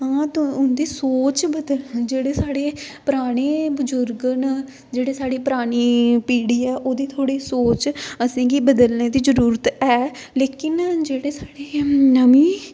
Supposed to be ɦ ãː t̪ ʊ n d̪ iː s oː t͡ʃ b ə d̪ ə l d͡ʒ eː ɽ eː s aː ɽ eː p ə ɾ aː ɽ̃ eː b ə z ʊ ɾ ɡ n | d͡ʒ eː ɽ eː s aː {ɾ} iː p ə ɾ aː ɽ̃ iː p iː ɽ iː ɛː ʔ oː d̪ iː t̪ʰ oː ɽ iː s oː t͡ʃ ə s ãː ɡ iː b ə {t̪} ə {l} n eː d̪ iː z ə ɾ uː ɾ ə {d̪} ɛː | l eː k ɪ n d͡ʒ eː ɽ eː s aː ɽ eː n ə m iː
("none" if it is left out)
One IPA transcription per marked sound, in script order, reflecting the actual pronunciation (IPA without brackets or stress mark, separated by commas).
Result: ɽ, d̪, l, t̪